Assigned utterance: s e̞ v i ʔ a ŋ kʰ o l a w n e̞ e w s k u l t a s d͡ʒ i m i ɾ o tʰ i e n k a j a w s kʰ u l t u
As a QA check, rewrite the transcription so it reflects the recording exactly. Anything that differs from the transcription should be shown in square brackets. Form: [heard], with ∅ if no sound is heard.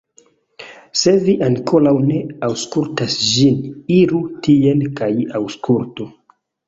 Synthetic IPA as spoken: s e̞ v i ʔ a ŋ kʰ o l a w n e̞ [a] w s k u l t a s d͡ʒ i [n] i ɾ [u] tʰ i e n k a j a w s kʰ u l t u